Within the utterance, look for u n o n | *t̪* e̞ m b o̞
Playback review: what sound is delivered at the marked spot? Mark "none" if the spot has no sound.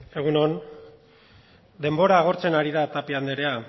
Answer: d̪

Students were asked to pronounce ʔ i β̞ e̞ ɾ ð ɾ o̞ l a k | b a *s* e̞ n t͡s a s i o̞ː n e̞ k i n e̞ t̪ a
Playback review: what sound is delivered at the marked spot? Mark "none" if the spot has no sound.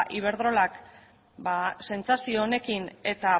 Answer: s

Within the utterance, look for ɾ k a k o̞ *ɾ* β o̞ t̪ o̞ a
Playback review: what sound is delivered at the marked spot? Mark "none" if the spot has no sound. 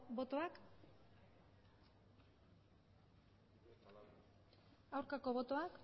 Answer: none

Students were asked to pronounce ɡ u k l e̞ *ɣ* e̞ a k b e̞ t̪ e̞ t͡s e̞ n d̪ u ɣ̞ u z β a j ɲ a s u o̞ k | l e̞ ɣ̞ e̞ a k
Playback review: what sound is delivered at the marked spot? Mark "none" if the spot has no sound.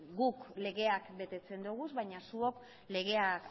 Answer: ɣ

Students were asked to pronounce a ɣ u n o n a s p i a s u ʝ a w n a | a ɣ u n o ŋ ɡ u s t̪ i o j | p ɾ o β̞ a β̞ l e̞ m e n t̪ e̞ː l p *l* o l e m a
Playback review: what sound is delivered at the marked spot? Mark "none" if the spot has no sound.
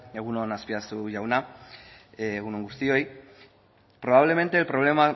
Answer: ɾ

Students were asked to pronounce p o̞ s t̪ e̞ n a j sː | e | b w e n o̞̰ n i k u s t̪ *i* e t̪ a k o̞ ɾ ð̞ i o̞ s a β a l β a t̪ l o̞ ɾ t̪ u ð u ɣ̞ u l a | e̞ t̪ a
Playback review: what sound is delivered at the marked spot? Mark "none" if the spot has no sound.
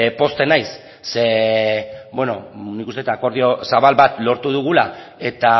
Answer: e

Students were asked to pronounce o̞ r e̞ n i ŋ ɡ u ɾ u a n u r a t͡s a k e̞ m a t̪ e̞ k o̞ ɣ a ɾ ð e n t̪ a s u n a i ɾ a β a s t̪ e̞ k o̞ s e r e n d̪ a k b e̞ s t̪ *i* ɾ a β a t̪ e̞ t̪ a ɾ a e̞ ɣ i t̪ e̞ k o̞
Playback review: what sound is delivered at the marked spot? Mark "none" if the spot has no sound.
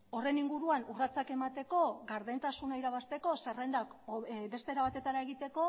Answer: e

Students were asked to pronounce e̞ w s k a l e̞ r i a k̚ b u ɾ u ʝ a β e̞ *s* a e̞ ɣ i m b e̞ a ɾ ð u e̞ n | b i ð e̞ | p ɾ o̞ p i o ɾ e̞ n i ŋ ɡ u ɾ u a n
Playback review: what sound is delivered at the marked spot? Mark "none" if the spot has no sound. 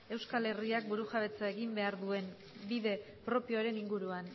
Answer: t͡s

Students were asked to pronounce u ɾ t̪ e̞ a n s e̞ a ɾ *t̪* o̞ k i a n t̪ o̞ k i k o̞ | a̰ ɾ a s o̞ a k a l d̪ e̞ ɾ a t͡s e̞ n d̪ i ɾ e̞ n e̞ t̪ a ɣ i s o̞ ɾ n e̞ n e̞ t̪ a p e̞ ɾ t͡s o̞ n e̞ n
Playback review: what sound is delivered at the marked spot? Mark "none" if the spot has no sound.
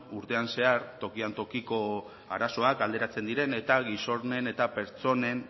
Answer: t̪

